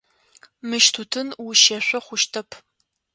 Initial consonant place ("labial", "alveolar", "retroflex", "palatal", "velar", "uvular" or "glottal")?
labial